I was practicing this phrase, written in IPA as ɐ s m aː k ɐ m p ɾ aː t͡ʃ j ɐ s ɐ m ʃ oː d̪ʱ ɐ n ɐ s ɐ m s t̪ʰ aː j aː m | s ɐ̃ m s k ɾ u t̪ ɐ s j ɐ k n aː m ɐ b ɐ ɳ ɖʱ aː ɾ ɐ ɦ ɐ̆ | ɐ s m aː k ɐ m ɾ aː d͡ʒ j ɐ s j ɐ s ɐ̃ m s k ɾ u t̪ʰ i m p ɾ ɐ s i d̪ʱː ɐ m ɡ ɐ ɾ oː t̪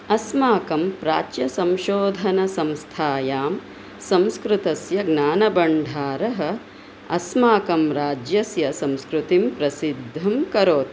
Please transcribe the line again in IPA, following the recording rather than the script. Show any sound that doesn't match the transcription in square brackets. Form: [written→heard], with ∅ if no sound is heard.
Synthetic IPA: ɐ s m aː k ɐ m p ɾ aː t͡ʃ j ɐ s ɐ m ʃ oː d̪ʱ ɐ n ɐ s ɐ m s t̪ʰ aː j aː m | s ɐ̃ m s k ɾ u t̪ ɐ s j ɐ [k→ɡ] n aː [m→n] ɐ b ɐ ɳ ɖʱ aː ɾ ɐ ɦ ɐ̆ | ɐ s m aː k ɐ m ɾ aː d͡ʒ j ɐ s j ɐ s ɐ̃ m s k ɾ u [t̪ʰ→t̪] i m p ɾ ɐ s i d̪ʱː ɐ m [ɡ→k] ɐ ɾ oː t̪